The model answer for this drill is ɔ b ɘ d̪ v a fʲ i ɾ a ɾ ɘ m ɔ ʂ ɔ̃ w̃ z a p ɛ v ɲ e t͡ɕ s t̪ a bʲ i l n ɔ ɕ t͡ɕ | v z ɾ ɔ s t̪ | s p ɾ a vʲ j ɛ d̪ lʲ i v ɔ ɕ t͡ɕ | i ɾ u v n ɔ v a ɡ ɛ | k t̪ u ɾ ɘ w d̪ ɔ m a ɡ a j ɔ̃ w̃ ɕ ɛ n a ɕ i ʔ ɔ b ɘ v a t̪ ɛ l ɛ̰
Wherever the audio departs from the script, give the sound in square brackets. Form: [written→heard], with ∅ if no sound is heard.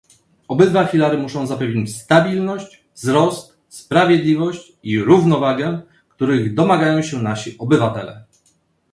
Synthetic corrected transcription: ɔ b ɘ d̪ v a fʲ i [ɾ→l] a ɾ ɘ m [ɔ→u] ʂ ɔ̃ w̃ z a p ɛ v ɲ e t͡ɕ s t̪ a bʲ i l n ɔ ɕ t͡ɕ | v z ɾ ɔ s t̪ | s p ɾ a vʲ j ɛ d̪ lʲ i v ɔ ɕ t͡ɕ | i ɾ u v n ɔ v a ɡ ɛ | k t̪ u ɾ ɘ [w→ɣ] d̪ ɔ m a ɡ a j ɔ̃ w̃ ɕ ɛ n a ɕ i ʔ ɔ b ɘ v a t̪ ɛ l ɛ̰